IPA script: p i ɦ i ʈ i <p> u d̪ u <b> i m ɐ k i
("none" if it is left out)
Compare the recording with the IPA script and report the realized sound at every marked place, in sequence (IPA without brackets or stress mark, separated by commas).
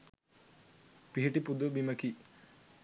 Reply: p, b